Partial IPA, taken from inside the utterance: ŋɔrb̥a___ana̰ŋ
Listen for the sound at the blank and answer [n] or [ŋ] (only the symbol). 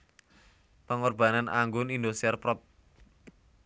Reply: n